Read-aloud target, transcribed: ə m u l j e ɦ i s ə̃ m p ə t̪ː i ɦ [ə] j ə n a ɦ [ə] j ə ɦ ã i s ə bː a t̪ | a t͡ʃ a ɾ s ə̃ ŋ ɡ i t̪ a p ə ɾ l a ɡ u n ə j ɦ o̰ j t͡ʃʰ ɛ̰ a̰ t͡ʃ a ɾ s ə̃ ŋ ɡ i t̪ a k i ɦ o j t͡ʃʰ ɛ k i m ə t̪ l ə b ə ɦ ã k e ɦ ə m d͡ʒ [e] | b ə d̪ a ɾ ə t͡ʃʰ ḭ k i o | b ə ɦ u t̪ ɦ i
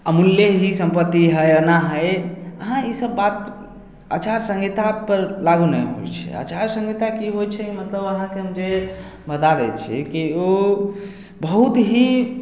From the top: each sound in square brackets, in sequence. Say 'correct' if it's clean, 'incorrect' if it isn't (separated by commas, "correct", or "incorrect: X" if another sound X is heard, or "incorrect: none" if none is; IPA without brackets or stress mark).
correct, correct, correct